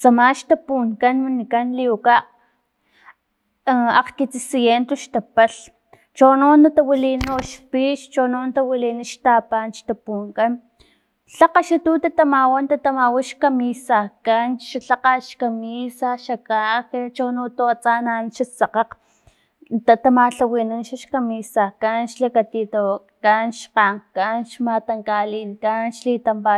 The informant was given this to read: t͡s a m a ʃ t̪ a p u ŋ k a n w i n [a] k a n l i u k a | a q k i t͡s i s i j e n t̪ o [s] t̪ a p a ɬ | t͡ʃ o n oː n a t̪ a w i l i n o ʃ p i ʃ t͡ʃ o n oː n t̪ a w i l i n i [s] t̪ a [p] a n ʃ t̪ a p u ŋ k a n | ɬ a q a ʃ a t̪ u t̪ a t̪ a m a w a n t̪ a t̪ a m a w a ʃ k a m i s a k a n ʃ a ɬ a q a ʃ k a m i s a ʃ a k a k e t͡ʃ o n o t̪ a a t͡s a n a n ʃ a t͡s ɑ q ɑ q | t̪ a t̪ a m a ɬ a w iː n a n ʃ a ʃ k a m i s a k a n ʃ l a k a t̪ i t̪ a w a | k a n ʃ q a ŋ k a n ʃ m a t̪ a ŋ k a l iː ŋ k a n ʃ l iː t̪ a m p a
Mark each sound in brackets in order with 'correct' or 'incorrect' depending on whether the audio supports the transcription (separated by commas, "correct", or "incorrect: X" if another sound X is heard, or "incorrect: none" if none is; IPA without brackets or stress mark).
incorrect: i, incorrect: ʃ, incorrect: ʃ, correct